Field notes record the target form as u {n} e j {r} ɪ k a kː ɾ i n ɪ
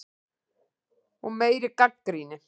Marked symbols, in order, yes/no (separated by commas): no, no